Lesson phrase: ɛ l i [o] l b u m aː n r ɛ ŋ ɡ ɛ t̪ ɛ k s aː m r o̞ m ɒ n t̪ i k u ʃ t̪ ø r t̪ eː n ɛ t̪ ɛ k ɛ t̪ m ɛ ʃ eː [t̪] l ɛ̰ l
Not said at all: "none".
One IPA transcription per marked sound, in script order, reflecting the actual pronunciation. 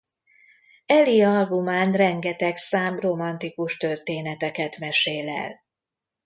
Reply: ɒ, none

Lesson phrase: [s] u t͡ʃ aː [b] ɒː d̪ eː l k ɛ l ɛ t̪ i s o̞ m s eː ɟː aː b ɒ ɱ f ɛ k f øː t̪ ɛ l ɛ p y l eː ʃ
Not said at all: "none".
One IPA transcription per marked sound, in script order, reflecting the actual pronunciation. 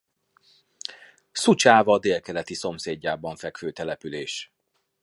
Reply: s, v

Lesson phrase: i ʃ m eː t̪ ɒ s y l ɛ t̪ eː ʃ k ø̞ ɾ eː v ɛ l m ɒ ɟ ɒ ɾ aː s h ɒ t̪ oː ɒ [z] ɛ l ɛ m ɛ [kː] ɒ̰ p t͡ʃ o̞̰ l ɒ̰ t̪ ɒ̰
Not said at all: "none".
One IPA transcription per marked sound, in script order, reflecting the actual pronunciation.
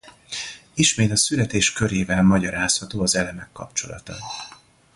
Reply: z, kː

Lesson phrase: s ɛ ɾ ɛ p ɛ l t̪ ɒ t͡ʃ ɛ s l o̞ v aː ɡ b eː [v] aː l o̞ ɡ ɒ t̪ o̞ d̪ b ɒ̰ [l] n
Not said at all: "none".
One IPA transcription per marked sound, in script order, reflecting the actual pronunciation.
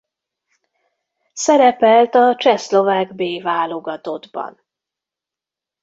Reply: v, none

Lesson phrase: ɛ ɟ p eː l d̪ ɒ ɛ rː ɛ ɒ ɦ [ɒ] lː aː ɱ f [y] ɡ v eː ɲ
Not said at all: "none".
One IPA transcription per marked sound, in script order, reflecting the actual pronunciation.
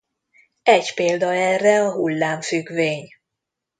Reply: u, y

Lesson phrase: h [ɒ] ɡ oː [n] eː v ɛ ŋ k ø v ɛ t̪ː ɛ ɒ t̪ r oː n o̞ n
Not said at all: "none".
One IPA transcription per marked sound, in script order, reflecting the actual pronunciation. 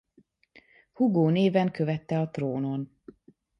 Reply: u, n

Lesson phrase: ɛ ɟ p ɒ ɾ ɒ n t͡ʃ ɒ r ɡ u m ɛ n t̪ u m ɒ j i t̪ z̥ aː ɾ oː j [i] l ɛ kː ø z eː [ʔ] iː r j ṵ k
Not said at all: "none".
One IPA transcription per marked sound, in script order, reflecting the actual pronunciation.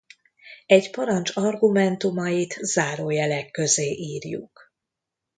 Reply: ɛ, ʔ

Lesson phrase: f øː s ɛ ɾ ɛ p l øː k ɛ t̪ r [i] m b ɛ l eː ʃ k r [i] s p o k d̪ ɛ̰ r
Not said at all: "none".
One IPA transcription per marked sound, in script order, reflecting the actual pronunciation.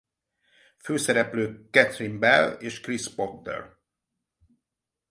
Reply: i, i

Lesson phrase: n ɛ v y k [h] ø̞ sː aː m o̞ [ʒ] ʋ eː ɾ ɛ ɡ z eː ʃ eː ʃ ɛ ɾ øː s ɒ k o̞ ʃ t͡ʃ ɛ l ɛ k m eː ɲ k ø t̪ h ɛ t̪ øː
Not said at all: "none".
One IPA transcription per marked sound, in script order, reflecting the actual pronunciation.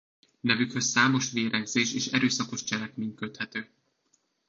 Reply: h, ʃ

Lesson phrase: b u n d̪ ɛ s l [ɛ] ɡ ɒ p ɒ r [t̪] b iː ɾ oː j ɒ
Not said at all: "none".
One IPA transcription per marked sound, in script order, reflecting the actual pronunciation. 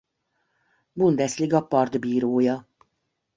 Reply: i, d̪

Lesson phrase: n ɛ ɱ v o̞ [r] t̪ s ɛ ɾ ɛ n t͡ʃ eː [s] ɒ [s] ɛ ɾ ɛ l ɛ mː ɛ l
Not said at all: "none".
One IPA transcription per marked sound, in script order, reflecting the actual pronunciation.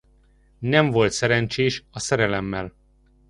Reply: l, ʃ, s

